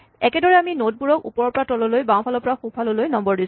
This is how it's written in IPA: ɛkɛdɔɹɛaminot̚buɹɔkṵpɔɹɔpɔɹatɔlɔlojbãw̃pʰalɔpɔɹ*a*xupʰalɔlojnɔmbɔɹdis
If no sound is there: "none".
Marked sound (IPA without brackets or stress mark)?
a